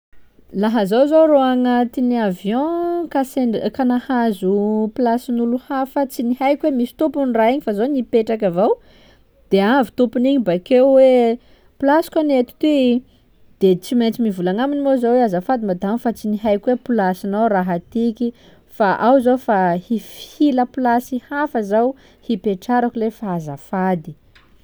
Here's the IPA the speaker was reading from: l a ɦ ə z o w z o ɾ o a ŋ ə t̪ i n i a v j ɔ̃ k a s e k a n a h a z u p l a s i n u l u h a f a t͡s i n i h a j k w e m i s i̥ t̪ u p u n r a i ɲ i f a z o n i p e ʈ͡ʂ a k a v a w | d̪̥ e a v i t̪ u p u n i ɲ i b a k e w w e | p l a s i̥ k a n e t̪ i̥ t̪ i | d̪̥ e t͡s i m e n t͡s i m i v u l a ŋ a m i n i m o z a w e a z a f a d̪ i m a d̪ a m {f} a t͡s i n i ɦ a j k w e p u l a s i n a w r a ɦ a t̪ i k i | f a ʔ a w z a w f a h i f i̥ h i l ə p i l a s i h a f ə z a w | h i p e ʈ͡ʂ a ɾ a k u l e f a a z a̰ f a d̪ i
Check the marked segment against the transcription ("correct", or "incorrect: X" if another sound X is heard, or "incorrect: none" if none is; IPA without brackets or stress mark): correct